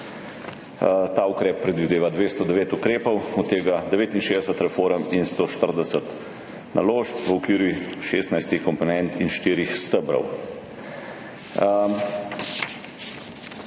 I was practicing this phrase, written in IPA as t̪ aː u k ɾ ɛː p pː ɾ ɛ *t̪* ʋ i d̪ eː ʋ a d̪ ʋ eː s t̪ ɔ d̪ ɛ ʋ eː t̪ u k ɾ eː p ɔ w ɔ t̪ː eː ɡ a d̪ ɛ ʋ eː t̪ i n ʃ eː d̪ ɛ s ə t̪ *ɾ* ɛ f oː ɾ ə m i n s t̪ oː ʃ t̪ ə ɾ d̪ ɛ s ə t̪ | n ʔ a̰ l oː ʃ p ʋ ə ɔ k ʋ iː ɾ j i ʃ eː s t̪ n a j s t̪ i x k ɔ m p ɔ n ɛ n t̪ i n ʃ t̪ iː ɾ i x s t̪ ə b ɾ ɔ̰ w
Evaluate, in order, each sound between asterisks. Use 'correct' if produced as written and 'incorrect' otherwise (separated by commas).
incorrect, correct